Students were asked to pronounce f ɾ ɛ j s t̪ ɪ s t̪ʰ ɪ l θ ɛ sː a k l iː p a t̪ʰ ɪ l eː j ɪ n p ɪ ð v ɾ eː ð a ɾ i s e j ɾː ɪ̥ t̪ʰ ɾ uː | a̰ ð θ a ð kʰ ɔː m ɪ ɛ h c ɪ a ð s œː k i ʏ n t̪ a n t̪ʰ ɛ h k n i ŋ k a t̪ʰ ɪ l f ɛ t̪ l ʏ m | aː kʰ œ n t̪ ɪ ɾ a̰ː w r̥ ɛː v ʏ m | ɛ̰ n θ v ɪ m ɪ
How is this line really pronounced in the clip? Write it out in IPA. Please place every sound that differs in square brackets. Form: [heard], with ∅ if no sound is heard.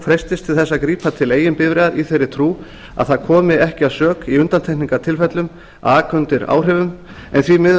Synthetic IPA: f ɾ ɛ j s t̪ ɪ s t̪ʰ ɪ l θ ɛ sː a k [ɾ] iː p a t̪ʰ ɪ l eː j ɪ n p ɪ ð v ɾ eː ð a ɾ i [θ] e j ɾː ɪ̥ t̪ʰ ɾ uː | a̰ ð θ a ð kʰ ɔː m ɪ ɛ h c ɪ a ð s œː k i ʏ n t̪ a n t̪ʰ ɛ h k n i ŋ k a t̪ʰ ɪ l f ɛ t̪ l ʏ m | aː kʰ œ n t̪ ɪ ɾ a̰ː w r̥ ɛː v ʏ m | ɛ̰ n θ v [i] m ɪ